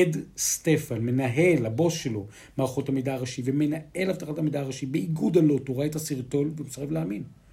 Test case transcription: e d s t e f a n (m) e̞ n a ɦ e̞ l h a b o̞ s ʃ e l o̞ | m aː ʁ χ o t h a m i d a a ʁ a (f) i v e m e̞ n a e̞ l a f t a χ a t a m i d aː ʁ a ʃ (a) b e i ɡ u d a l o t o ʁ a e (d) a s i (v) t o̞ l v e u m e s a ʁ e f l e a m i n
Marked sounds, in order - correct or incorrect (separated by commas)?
correct, incorrect, incorrect, incorrect, incorrect